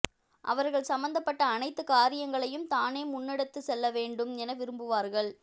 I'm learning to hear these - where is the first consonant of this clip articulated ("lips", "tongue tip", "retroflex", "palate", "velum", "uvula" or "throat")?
throat